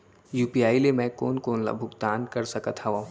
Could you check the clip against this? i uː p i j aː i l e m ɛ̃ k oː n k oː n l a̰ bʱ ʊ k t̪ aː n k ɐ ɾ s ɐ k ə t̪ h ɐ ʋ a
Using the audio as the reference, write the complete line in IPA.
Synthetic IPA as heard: j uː p i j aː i l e m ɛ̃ k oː n k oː n l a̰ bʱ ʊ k t̪ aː n k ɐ ɾ s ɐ k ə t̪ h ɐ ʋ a